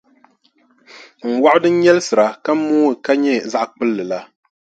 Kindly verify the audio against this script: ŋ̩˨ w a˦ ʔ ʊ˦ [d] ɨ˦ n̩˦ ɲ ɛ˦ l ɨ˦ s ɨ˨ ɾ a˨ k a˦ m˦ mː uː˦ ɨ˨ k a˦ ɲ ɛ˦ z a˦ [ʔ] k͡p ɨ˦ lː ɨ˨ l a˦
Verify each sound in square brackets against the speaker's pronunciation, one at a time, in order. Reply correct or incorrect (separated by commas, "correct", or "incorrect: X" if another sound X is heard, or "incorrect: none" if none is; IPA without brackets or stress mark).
correct, correct